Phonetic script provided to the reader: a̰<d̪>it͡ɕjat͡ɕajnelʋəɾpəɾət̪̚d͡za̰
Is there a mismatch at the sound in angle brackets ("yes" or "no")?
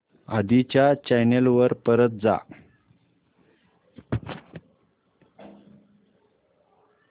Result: no